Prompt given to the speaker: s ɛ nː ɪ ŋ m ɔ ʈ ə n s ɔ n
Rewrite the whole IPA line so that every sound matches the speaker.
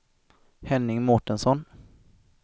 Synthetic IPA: h ɛ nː ɪ ŋ m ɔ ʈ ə n s ɔ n